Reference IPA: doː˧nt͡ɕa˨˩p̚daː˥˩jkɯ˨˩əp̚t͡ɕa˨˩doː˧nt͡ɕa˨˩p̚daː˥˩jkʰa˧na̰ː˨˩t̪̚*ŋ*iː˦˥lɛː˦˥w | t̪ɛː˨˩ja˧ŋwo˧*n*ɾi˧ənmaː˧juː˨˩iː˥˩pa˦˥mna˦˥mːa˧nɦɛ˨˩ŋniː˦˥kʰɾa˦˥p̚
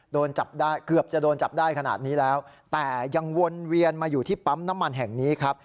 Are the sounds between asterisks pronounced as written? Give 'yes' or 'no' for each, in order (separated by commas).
no, yes